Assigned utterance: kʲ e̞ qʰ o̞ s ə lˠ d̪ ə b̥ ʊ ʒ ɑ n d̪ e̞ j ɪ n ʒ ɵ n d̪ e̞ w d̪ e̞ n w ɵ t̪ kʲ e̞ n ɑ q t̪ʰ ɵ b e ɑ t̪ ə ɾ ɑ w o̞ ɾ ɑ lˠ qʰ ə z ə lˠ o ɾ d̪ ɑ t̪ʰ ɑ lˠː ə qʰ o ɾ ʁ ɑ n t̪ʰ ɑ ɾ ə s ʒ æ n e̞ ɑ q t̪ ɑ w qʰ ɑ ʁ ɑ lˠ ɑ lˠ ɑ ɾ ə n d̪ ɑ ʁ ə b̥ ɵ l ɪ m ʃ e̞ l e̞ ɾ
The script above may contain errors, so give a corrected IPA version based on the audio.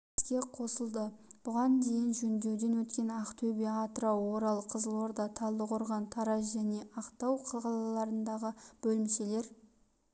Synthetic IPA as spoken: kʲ e̞ qʰ o̞ s ə lˠ d̪ ə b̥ ʊ ʁ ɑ n d̪ e̞ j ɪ n ʒ ɵ n d̪ e̞ w d̪ e̞ n w ɵ t̪ kʲ e̞ n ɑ q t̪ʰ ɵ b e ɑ t̪ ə ɾ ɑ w o̞ ɾ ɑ lˠ qʰ ə z ə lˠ o ɾ d̪ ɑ t̪ʰ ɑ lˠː ə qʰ o ɾ ʁ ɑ n t̪ʰ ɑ ɾ ɑ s ʒ æ n e̞ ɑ q t̪ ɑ w qʰ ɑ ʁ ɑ lˠ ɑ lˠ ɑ ɾ ə n d̪ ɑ ʁ ə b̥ ɵ l ɪ m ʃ e̞ l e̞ ɾ